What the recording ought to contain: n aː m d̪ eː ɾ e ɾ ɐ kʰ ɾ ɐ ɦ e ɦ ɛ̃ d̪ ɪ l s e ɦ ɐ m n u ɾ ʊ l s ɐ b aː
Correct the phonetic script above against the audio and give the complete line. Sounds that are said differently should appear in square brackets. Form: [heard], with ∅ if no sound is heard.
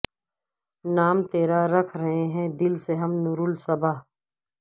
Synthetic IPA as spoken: n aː m [t̪] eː ɾ [a] ɾ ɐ kʰ ɾ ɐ ɦ e ɦ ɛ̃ d̪ ɪ l s e ɦ ɐ m n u ɾ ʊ l s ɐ b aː